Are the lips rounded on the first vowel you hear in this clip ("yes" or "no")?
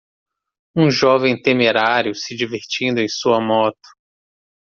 yes